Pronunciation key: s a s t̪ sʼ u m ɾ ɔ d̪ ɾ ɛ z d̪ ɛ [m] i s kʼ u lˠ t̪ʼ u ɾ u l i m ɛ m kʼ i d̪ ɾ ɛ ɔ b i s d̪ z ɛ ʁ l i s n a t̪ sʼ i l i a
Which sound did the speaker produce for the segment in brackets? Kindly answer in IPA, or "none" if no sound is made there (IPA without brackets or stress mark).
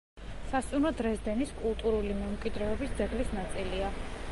n